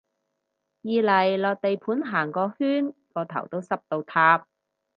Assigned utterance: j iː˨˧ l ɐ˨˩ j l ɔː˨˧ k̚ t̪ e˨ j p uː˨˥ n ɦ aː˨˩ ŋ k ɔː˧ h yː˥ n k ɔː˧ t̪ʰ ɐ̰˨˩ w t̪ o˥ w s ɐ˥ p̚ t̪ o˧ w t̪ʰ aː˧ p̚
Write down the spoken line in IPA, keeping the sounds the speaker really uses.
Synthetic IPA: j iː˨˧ l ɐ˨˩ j l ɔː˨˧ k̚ t̪ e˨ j pʰ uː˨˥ n ɦ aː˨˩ ŋ k ɔː˧ h yː˥ n k ɔː˧ t̪ʰ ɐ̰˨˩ w t̪ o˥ w s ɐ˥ p̚ t̪ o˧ w t̪ʰ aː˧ p̚